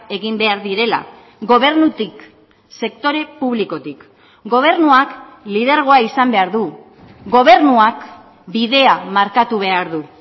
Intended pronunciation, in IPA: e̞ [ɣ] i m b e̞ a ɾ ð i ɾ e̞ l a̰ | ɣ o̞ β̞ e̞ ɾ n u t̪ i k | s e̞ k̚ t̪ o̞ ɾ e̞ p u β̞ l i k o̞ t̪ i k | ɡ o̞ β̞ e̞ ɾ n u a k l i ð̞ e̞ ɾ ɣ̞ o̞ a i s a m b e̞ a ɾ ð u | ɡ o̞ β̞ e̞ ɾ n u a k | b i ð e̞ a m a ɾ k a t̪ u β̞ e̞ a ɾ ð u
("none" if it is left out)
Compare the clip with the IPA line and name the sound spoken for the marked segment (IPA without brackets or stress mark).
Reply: ɣ